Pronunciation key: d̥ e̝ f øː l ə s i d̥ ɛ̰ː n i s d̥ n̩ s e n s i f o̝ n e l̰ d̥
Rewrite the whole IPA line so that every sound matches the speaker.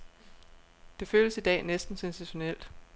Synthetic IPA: d̥ e̝ f øː l ə s i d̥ ɛ̰ː n e s d̥ n̩ s e n s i ɕ o̝ n e l̰ d̥